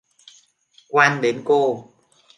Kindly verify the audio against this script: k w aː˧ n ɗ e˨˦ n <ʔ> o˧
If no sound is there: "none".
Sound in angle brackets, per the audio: k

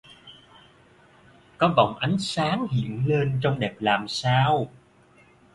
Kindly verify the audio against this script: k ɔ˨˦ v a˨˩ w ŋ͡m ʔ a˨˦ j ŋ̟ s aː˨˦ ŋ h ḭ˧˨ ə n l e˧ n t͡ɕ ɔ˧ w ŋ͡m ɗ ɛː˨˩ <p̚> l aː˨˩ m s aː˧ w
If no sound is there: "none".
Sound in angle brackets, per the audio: p̚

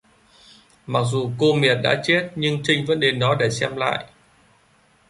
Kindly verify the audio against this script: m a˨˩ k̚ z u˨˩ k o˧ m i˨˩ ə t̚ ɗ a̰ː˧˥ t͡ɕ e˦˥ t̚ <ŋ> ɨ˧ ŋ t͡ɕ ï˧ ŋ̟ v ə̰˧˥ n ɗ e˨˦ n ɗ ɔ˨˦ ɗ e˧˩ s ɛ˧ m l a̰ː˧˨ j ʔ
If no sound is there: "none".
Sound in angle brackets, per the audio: ɲ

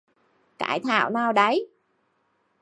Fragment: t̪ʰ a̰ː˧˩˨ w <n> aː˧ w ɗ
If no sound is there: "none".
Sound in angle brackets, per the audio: n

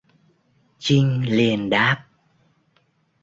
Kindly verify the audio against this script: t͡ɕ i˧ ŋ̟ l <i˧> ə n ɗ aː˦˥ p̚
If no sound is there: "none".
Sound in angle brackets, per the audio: i˨˩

